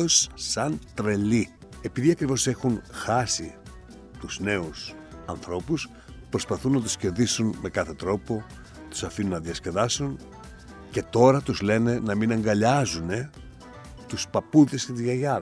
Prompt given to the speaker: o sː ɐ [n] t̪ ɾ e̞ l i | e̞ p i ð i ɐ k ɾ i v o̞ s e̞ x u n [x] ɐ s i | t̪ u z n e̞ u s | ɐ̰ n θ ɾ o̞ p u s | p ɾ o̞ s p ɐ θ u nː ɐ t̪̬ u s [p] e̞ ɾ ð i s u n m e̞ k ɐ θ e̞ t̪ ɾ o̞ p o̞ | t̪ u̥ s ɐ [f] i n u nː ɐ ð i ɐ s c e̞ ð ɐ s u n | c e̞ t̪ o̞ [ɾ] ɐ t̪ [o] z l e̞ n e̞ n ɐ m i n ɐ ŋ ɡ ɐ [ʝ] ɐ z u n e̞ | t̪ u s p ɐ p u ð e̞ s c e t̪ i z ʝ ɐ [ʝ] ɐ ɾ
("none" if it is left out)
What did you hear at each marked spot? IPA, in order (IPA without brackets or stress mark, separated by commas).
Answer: n, x, c, f, ɾ, u, ʎ, ʝ